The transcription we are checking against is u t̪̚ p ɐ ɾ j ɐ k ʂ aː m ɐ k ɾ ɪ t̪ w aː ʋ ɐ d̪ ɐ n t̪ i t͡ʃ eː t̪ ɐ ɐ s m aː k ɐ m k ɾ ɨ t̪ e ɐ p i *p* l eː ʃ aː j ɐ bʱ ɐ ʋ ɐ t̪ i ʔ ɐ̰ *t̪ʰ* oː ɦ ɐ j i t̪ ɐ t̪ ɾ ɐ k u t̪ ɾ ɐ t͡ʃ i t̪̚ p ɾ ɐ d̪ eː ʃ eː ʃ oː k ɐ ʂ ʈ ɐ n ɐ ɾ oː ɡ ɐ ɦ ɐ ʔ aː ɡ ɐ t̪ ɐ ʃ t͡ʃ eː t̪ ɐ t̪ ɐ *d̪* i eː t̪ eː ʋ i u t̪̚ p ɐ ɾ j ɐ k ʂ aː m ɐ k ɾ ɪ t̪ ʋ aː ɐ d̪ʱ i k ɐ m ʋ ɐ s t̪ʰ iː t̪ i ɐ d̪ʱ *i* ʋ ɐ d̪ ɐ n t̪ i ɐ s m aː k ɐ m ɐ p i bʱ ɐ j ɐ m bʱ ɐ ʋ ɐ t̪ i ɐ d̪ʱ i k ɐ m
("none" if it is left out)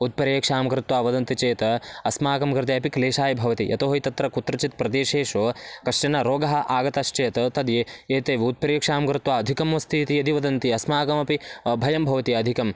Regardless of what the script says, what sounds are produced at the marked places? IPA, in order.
k, t̪, d̪, i

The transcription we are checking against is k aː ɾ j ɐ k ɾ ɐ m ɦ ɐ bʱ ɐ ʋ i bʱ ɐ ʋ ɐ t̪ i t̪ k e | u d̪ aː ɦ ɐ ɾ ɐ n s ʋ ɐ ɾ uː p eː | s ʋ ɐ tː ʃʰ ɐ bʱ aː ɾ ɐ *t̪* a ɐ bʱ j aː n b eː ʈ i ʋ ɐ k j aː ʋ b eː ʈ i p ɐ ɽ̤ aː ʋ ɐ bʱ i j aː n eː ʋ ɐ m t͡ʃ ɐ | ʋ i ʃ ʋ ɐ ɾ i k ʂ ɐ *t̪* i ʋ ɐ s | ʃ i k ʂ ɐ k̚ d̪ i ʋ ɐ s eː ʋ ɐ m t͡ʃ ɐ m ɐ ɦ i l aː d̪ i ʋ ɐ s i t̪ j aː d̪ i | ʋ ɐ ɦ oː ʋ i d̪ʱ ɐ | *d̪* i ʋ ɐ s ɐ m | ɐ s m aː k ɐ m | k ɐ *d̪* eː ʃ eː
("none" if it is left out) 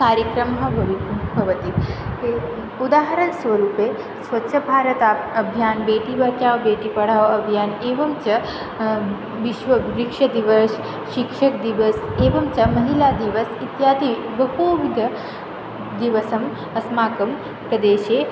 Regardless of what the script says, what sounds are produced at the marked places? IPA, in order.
t̪, d̪, d̪, d̪

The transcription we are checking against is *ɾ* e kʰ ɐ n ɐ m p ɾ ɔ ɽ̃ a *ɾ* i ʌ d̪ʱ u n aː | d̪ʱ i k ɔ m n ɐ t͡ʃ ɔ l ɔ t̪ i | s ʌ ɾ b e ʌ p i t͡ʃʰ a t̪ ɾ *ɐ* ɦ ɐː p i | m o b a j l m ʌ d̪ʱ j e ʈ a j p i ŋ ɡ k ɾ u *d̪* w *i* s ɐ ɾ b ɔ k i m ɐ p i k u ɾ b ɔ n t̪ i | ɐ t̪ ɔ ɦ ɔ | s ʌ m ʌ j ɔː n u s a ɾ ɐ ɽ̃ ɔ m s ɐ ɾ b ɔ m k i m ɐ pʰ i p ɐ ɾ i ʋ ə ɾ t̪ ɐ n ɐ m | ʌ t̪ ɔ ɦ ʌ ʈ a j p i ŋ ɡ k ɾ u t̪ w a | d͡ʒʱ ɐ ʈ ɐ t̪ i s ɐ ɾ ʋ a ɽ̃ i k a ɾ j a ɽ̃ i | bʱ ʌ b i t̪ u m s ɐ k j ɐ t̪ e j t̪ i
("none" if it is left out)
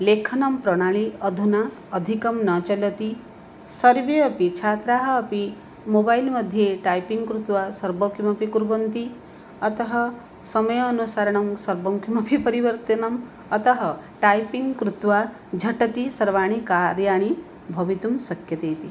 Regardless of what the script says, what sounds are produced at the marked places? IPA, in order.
l, ɭ, a, t̪, a

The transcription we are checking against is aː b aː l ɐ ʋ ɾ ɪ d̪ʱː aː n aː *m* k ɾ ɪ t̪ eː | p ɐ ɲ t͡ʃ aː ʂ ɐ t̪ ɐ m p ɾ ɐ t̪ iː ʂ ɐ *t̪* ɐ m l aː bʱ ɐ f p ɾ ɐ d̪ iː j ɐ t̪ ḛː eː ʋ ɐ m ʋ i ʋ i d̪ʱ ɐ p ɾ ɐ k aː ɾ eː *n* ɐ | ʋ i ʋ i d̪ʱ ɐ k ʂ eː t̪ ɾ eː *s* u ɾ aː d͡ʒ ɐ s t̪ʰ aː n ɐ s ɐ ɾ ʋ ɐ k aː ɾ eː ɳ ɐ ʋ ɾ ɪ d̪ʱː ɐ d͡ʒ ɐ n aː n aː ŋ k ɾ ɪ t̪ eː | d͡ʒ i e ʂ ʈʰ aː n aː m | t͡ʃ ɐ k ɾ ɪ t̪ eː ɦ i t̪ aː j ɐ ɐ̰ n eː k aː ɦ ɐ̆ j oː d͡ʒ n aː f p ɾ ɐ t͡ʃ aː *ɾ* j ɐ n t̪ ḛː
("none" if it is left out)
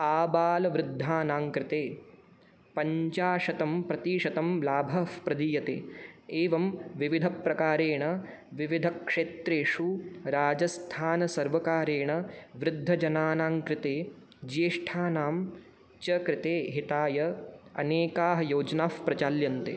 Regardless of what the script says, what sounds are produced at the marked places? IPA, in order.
ŋ, t̪, ɳ, ʂ, l

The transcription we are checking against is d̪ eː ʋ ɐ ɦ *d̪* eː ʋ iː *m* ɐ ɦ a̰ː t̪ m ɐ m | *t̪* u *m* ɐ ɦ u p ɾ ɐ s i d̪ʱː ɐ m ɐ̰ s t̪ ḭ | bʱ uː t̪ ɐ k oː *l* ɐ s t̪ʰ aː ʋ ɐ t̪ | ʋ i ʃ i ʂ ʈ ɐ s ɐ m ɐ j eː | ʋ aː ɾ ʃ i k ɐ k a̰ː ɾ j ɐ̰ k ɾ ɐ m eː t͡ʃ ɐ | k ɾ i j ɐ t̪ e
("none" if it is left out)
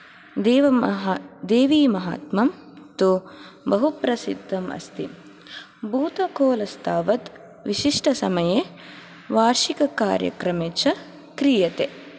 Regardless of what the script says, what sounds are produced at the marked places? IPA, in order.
d̪, m, t̪, b, l

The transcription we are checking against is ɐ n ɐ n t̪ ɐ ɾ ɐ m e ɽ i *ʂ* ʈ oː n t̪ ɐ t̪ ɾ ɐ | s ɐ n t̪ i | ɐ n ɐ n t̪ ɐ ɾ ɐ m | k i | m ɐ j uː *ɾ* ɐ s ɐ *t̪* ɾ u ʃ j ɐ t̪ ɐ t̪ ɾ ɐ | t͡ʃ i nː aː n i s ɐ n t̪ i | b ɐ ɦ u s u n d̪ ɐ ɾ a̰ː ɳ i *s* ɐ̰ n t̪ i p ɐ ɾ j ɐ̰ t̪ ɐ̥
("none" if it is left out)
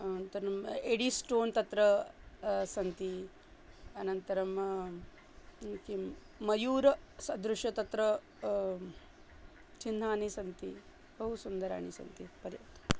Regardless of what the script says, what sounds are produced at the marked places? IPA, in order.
s, ɾ, d̪, s

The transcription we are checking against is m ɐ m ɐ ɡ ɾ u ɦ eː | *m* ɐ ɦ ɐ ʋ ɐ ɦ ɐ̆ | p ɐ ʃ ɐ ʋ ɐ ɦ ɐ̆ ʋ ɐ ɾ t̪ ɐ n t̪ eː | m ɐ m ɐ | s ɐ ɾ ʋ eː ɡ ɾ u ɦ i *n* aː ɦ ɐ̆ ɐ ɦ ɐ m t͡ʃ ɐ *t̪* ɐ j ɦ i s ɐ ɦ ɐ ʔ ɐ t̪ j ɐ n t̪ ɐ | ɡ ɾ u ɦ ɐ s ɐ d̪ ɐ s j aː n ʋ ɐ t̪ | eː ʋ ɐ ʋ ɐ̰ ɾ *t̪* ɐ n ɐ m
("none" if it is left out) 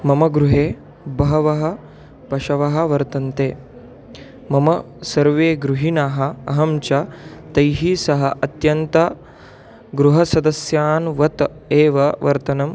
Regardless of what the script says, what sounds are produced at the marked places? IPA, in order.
b, n, t̪, t̪

